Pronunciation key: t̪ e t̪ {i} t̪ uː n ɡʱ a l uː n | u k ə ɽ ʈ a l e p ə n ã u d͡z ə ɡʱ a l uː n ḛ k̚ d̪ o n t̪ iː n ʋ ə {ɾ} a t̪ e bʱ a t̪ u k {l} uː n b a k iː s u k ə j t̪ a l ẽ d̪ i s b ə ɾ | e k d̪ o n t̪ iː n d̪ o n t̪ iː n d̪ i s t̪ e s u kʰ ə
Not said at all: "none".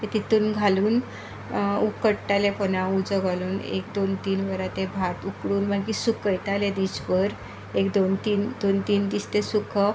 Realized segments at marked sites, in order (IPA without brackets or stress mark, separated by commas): i, ɾ, ɽ